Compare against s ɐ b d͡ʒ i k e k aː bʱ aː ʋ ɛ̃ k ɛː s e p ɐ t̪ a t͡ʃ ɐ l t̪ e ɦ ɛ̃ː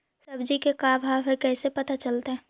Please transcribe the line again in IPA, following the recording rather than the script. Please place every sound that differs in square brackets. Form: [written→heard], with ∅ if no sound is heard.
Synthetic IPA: s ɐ b d͡ʒ i k e k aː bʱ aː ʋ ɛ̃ k ɛː s e p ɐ t̪ a t͡ʃ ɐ l t̪ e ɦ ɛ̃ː